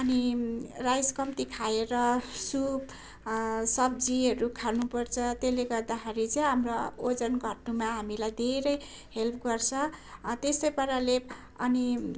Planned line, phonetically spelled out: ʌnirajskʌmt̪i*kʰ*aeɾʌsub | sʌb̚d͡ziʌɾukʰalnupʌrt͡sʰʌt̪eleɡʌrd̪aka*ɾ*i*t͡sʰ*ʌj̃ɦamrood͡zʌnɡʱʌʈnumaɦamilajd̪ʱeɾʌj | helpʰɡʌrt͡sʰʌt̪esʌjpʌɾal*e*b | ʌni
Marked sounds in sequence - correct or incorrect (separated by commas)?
correct, correct, incorrect, correct